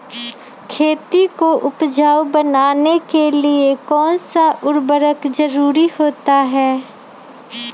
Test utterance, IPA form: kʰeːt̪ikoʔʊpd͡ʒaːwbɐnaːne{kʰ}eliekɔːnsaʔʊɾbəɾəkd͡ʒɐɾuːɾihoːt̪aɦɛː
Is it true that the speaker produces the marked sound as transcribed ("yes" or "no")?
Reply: no